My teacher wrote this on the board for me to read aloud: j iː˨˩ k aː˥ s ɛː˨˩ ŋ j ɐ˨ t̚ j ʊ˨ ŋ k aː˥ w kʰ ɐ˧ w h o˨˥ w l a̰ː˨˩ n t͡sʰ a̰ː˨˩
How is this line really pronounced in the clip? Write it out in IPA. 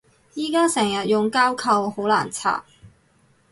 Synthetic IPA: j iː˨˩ k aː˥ s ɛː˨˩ ŋ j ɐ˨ t̚ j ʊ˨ ŋ k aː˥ w kʰ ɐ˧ w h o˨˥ w l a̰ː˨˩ n t͡sʰ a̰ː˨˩